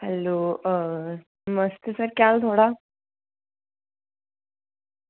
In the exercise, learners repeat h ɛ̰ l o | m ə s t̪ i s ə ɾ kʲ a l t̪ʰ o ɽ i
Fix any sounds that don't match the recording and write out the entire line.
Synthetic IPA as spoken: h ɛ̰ l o | m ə s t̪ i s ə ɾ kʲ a l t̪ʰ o ɽ a